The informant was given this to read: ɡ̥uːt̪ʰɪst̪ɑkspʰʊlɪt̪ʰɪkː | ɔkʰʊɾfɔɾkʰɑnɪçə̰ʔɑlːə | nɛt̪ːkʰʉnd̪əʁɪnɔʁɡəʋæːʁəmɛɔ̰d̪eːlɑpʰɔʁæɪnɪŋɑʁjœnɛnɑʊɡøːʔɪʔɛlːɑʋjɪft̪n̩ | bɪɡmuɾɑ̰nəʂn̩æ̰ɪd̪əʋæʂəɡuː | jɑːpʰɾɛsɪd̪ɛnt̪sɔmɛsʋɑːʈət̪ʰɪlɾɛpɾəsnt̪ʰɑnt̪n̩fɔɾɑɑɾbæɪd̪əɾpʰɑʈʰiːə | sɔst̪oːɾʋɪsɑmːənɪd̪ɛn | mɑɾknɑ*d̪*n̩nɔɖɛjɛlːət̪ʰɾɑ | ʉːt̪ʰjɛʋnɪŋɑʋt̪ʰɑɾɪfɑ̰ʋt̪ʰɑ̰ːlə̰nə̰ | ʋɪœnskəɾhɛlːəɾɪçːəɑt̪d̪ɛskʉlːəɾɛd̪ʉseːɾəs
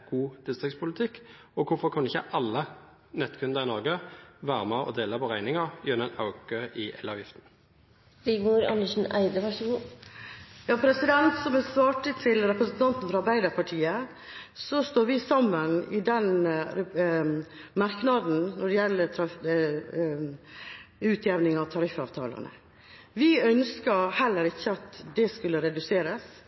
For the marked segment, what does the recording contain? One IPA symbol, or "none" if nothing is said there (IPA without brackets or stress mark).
d̪